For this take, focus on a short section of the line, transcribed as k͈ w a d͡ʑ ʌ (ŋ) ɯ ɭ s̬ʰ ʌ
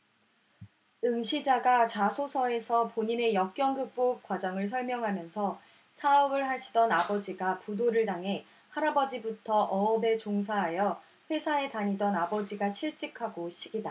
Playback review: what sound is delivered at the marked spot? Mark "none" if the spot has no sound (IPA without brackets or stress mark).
ŋ